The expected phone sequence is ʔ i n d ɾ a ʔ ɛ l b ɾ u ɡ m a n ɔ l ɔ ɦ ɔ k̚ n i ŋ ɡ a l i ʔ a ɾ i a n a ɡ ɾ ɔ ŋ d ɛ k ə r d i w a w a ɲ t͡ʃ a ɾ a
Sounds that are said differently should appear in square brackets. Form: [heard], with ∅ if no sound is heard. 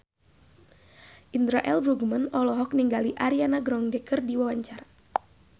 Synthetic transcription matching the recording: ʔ i n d ɾ a ʔ ɛ l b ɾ u ɡ m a n ɔ l ɔ ɦ ɔ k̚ n i ŋ ɡ a l i ʔ a ɾ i a n a ɡ ɾ ɔ ŋ d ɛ k ə r d i w a w a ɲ t͡ʃ a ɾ a